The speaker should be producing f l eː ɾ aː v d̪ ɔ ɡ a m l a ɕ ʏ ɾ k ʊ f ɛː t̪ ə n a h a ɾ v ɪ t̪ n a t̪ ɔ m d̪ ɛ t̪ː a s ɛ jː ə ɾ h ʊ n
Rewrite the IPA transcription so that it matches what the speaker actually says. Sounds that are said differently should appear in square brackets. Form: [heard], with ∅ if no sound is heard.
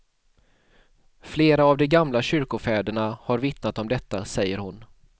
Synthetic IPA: f l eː ɾ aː v d̪ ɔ ɡ a m l a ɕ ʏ ɾ k ʊ f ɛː [d̪] ə [ɳ] a h a ɾ v ɪ t̪ n a t̪ ɔ m d̪ ɛ t̪ː a s ɛ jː ə ɾ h ʊ n